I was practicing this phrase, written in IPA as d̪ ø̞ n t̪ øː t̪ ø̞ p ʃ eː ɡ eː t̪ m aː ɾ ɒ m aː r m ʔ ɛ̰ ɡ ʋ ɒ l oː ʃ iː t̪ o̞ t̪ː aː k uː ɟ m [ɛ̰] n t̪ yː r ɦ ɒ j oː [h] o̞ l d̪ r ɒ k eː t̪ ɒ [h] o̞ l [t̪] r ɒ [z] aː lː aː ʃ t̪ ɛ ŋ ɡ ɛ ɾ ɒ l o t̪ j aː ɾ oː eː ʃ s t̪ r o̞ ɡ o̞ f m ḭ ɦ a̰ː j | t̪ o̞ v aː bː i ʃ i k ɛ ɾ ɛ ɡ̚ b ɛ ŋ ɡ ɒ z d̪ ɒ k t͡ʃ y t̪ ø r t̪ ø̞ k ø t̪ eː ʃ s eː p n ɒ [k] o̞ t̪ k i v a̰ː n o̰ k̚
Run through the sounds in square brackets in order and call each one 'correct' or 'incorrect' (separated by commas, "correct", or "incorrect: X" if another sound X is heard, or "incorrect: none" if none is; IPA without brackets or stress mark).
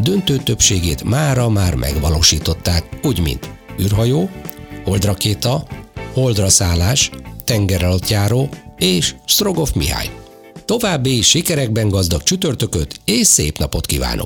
incorrect: ḭ, correct, correct, incorrect: d̪, incorrect: s, incorrect: p